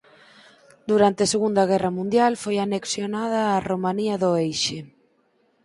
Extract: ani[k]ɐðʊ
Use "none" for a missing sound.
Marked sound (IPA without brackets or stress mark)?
none